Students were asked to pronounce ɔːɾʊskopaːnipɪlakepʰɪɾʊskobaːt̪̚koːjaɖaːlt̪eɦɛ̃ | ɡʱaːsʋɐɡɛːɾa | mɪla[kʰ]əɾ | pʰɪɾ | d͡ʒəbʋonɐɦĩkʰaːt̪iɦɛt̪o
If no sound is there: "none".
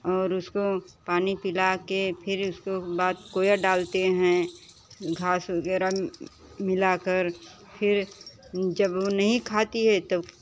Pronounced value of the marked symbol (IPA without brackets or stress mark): k